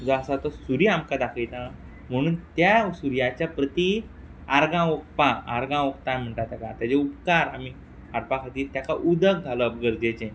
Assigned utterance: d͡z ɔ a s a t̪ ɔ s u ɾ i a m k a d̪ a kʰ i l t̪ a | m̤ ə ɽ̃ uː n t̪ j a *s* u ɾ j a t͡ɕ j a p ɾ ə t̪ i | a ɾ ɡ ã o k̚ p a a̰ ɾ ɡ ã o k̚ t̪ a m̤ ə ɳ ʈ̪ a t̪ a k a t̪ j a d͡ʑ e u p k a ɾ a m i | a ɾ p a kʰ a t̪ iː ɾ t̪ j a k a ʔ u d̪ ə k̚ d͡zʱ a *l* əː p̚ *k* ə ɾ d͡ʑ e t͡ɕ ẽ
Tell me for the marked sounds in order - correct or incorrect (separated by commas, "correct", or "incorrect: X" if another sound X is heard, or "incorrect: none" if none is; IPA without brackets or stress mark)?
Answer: correct, correct, incorrect: ɡ